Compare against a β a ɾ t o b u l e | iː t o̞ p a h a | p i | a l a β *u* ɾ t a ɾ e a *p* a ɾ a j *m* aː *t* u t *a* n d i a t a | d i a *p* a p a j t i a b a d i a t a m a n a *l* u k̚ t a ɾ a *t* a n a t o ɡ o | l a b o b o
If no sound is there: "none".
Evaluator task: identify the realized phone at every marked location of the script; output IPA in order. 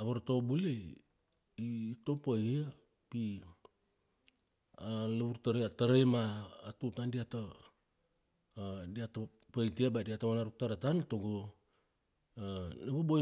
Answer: u, t, m, t, a, t, ɾ, t

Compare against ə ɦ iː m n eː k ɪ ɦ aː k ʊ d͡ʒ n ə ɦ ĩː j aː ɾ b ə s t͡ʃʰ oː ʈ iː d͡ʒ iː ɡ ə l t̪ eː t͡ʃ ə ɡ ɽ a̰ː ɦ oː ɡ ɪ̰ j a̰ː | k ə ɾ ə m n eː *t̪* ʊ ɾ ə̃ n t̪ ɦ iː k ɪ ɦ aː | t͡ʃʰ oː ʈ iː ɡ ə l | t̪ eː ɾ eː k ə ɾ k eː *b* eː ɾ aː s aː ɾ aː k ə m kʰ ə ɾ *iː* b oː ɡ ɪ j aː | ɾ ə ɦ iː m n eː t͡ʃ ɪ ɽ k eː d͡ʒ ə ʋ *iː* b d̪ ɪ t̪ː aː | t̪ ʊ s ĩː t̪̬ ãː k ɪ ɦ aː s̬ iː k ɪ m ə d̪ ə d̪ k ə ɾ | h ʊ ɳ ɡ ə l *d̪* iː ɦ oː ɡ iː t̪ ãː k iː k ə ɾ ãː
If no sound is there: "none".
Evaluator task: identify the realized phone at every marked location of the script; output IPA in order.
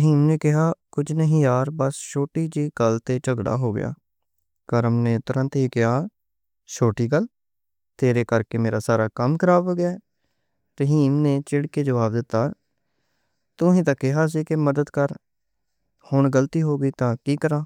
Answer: t̪, m, aː, aː, t̪

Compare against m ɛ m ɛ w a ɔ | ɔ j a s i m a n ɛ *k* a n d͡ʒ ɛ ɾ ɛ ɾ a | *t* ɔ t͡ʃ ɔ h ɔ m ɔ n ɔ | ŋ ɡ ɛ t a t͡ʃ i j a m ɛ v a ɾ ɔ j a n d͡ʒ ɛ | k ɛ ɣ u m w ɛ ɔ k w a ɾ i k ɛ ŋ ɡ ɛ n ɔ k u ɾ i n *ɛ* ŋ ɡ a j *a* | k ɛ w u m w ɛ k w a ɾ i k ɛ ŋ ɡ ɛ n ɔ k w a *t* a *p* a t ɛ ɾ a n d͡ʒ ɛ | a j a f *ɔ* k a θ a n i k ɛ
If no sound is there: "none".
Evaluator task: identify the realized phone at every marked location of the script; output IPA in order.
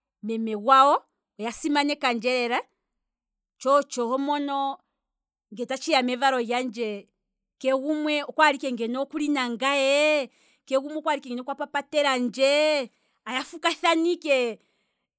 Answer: k, t͡ʃ, a, ɛ, p, p, u

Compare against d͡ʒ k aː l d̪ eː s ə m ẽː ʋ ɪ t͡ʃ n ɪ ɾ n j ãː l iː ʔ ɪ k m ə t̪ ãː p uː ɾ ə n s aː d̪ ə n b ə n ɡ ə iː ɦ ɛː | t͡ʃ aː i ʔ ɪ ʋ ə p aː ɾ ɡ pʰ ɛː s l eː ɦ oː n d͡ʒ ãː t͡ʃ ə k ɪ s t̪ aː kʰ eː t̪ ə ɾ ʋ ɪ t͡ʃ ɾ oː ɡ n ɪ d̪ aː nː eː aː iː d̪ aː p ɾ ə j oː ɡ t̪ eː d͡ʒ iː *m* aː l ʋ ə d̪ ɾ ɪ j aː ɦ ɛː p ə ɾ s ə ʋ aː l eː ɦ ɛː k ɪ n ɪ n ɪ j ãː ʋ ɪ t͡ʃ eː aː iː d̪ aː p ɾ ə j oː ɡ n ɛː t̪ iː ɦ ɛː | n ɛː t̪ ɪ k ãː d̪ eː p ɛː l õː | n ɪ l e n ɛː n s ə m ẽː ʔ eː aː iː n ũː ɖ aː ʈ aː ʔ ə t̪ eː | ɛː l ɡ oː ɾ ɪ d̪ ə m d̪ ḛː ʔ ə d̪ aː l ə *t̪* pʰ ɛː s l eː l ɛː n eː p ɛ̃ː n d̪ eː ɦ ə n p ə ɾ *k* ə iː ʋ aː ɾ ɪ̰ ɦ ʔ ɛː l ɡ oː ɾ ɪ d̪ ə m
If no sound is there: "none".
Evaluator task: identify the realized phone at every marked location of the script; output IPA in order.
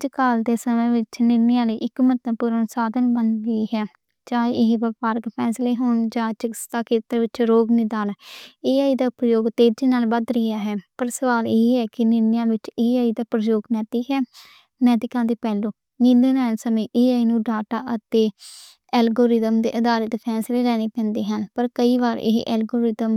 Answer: n, t̪, k

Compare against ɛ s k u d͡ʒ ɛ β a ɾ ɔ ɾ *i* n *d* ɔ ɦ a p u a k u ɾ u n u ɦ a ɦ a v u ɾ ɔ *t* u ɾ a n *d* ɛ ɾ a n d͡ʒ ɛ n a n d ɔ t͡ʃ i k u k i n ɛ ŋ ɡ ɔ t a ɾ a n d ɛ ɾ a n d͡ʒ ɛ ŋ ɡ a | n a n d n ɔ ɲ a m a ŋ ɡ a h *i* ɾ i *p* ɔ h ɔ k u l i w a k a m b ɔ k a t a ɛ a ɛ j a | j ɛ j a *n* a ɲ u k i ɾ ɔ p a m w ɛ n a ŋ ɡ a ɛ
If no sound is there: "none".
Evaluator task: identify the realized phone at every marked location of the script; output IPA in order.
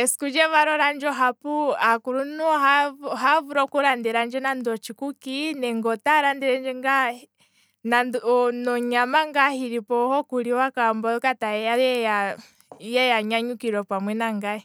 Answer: a, d͡ʒ, k, d, i, p, ɲ

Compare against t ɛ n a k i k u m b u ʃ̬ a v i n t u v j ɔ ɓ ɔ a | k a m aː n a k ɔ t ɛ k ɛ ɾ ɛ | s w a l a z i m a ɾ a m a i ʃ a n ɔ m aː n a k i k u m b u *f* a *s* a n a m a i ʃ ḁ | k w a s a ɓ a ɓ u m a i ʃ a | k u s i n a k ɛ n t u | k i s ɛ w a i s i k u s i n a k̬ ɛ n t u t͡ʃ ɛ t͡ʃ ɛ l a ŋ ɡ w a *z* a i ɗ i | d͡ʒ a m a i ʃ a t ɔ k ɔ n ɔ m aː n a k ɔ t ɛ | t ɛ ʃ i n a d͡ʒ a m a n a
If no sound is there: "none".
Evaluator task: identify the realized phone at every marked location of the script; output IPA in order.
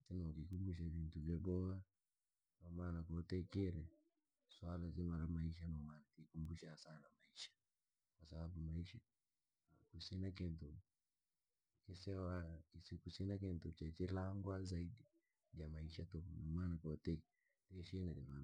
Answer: ʃ, s, z

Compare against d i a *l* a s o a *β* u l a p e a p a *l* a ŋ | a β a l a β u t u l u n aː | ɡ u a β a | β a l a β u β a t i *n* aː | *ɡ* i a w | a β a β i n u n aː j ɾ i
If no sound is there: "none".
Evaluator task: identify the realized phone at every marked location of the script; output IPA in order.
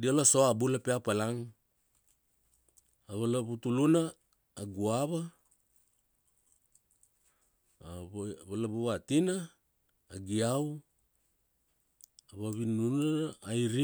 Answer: l, b, l, n, ɡ

